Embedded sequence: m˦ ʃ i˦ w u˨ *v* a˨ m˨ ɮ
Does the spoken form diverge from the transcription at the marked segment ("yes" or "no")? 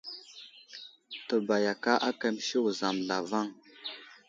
yes